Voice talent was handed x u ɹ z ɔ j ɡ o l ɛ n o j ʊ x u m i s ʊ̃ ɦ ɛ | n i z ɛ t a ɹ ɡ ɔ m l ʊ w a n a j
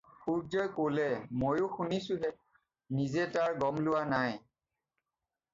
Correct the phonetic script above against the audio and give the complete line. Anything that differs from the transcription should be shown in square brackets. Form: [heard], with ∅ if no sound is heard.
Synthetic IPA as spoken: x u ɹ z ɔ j [k] o l ɛ [m] o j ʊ x u [n] i s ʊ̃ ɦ ɛ | n i z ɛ t a ɹ ɡ ɔ m l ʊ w a n a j